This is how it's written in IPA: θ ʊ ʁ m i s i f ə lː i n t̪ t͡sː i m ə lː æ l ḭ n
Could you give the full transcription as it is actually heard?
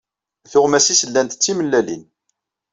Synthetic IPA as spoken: θ ʊ ʁ m æ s i s ə lː æ n t̪ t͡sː i m ə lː æ l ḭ n